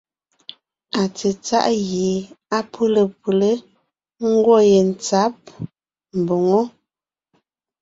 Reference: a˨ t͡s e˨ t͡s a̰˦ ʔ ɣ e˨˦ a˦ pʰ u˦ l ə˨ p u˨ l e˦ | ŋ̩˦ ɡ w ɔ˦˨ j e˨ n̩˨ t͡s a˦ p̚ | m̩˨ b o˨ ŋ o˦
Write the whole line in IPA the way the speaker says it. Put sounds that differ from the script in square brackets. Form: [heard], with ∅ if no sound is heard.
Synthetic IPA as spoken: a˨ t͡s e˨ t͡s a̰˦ ʔ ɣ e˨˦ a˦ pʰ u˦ l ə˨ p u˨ l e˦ | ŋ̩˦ ɡ w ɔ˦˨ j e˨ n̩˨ t͡s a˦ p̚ | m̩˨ b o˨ ŋ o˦

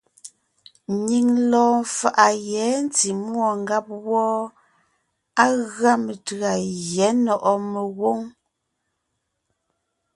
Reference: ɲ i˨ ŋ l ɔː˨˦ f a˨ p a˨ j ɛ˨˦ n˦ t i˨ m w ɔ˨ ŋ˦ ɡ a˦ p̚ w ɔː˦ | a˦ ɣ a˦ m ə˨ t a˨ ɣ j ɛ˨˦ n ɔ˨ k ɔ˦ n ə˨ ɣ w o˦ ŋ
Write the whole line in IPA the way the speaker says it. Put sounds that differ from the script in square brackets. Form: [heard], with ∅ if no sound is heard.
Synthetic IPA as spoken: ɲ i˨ ŋ l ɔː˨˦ f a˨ [ʔ] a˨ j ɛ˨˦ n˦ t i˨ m w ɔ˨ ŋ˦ ɡ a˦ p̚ w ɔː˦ | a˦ ɣ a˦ m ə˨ t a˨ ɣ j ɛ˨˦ n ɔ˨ [ʔ] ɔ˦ [m] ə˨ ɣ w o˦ ŋ

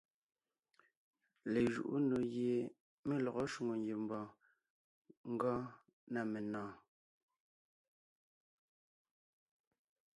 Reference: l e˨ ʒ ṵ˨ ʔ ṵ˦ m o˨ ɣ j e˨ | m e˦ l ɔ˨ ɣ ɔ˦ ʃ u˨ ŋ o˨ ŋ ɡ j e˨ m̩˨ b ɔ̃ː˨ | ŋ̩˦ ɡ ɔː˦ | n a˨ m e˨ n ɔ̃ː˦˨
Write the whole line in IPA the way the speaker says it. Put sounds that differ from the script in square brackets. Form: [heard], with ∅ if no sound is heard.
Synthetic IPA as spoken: l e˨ ʒ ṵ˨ ʔ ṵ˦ [n] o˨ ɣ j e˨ | m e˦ l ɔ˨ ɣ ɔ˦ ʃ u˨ ŋ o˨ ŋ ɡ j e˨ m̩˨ b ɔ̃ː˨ | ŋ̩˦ ɡ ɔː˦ | n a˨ m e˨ n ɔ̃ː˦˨

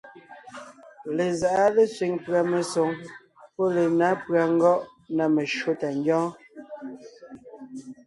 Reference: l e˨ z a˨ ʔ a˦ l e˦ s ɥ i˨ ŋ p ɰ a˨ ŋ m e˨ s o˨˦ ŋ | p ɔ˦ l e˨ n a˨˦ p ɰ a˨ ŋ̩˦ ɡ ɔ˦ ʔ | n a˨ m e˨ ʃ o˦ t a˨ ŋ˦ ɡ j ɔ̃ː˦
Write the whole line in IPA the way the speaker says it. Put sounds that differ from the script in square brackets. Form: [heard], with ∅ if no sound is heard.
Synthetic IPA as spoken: l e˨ z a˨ ʔ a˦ l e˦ s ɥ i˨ ŋ p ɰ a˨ [∅] m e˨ s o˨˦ ŋ | p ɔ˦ l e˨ n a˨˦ p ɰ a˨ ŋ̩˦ ɡ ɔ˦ ʔ | n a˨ m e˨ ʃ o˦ t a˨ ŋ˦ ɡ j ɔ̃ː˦

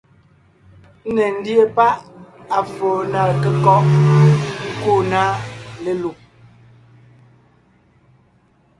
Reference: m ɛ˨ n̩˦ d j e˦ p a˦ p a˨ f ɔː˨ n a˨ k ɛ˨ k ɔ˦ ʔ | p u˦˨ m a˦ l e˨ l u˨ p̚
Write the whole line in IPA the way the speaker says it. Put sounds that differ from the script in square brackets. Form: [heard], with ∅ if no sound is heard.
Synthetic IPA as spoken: [n] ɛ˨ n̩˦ d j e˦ p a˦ [ʔ] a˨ f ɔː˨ n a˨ k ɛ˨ k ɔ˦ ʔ | [k] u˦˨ [n] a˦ l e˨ l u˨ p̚

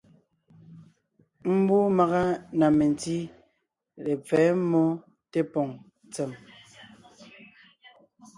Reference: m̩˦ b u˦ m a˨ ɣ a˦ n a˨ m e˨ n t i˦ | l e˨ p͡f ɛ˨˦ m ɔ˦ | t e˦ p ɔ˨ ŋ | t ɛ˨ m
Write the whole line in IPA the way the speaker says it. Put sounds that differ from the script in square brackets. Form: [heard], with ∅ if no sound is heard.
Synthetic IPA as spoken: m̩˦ b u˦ m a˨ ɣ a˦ n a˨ m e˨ n t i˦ | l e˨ p͡f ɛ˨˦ m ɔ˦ | t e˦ p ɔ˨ ŋ | [t͡s] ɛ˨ m

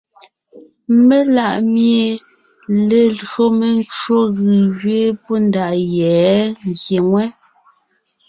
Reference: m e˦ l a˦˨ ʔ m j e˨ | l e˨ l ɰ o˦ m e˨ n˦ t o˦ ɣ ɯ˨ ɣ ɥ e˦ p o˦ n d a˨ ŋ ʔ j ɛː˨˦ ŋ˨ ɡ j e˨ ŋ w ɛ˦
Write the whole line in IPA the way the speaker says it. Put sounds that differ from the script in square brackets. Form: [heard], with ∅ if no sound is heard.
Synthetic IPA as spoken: m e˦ l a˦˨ ʔ m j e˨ | l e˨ l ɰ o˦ m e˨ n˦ [t͡ʃ] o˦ ɣ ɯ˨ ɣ ɥ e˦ p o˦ n d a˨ [∅] ʔ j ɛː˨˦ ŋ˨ ɡ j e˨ ŋ w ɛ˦

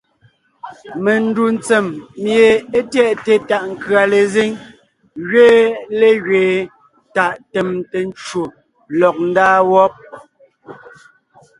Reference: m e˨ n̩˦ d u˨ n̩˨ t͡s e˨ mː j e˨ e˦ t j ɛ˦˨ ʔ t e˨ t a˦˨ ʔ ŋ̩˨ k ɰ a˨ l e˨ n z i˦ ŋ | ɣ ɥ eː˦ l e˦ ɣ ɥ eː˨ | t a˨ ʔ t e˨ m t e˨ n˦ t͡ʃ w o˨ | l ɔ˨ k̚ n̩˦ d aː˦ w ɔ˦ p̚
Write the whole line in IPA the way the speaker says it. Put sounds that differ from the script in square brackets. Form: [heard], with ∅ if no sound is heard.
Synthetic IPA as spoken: m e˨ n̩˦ d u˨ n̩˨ t͡s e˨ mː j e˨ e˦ t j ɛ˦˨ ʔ t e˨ t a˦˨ ʔ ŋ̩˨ k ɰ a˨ l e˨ [∅] z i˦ ŋ | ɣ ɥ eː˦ l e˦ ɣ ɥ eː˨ | t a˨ ʔ t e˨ m t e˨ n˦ t͡ʃ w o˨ | l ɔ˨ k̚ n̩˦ d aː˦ w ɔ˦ p̚

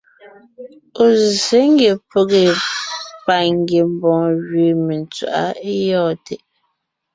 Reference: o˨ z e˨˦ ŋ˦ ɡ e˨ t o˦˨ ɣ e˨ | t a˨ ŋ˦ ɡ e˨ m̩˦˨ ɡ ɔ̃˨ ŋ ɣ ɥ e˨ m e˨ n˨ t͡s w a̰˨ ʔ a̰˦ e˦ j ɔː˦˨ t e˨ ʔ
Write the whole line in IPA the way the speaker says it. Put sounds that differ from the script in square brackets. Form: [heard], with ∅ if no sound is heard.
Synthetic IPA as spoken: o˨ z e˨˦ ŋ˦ ɡ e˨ [p] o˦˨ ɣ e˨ | [p] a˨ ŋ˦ ɡ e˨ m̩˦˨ [b] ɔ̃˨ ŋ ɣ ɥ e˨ m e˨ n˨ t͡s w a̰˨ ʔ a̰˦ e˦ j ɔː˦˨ t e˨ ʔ

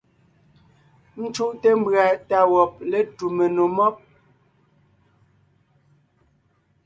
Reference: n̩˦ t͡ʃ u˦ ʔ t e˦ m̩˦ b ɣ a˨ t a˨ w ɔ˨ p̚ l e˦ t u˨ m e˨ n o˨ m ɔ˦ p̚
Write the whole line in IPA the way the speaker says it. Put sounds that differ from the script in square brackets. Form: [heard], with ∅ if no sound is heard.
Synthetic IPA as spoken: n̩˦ t͡ʃ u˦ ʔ t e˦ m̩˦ b [ɰ] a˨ t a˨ w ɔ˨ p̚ l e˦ t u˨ m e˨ n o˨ m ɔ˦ p̚

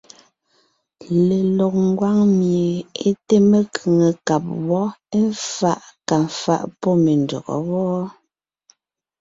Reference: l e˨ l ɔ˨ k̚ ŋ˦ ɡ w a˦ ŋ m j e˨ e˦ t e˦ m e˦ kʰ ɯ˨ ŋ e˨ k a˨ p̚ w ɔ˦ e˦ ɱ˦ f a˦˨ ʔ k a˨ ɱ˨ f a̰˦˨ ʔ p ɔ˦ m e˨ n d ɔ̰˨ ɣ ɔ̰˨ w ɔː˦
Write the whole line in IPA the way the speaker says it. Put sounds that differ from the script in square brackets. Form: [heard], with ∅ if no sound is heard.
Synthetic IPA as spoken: l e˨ l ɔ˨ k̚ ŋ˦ ɡ w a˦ ŋ m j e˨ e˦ t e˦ m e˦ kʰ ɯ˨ ŋ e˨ k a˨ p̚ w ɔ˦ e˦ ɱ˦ f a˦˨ ʔ k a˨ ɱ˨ f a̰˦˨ ʔ p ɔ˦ m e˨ n d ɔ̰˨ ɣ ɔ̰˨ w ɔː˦

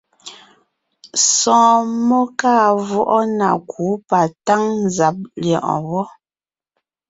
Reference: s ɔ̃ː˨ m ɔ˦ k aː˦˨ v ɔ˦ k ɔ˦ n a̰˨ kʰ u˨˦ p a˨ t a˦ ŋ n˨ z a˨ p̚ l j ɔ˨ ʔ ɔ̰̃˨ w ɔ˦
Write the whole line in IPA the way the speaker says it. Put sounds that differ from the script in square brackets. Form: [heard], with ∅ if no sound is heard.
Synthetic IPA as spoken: s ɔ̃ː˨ m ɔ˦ k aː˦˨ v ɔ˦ [ʔ] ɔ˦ n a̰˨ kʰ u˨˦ p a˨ t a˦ ŋ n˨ z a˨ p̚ l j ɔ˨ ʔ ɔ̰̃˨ w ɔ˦

